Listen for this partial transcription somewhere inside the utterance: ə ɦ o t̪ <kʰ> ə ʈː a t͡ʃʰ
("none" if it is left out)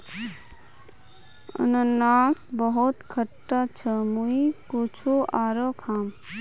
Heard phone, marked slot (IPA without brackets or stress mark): kʰ